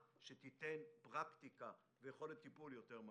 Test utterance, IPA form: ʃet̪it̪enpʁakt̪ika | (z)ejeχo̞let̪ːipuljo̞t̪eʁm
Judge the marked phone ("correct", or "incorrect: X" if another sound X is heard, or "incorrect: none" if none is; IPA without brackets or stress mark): incorrect: v